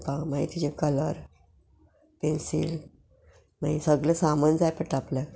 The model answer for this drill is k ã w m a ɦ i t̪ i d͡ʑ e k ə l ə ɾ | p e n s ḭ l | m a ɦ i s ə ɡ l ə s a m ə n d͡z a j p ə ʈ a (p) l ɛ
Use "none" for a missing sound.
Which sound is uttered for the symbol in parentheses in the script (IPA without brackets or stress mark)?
p